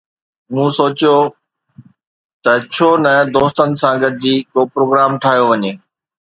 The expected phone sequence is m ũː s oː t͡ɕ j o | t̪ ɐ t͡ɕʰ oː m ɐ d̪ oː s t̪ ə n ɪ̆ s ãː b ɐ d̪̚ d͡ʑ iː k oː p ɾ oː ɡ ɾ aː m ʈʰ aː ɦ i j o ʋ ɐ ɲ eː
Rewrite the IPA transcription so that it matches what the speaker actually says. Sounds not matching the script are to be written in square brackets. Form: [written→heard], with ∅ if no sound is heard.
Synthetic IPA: m ũː s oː t͡ɕ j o | t̪ ɐ t͡ɕʰ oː [m→n] ɐ d̪ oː s t̪ ə n ɪ̆ s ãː [b→ɡ] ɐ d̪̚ d͡ʑ iː k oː p ɾ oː ɡ ɾ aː m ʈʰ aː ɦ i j o ʋ ɐ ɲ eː